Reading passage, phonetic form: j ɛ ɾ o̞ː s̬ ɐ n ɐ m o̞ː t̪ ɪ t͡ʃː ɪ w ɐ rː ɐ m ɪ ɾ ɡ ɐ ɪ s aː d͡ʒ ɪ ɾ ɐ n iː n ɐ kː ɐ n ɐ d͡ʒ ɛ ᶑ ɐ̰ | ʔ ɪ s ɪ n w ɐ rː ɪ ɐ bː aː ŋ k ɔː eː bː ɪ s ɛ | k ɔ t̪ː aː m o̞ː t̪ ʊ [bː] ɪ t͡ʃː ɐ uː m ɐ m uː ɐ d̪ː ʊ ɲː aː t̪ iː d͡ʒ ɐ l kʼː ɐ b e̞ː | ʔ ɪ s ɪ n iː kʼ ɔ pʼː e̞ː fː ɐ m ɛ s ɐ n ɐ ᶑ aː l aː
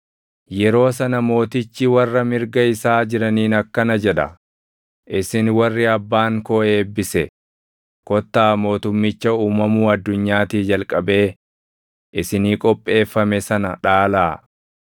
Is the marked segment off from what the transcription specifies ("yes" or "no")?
yes